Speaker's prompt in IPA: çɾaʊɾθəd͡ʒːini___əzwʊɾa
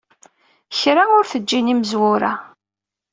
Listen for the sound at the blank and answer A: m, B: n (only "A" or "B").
A